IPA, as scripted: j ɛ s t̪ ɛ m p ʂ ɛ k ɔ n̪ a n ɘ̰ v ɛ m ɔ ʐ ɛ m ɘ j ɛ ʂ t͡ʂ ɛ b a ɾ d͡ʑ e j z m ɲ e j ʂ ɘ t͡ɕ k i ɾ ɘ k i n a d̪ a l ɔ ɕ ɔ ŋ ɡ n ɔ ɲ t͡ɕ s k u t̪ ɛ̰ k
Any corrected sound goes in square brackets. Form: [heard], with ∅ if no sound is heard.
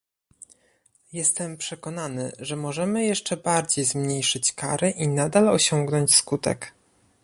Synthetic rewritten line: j ɛ s t̪ ɛ m p ʂ ɛ k ɔ n̪ a n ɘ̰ [ʐ] ɛ m ɔ ʐ ɛ m ɘ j ɛ ʂ t͡ʂ ɛ b a ɾ d͡ʑ e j z m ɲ e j ʂ ɘ t͡ɕ k [a] ɾ ɘ [ʔ] i n a d̪ a l ɔ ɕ ɔ ŋ ɡ n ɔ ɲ t͡ɕ s k u t̪ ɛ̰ k